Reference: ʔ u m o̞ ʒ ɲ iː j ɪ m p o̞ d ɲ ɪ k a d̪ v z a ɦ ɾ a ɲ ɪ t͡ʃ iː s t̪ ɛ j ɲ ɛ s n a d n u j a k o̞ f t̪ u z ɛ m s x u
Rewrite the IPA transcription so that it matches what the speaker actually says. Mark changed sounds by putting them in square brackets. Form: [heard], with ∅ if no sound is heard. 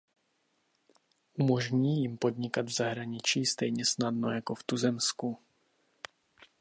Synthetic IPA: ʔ u m o̞ ʒ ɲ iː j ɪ m p o̞ d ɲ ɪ k a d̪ v z a ɦ ɾ a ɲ ɪ t͡ʃ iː s t̪ ɛ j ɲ ɛ s n a d n [o] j a k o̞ f t̪ u z ɛ m s [k] u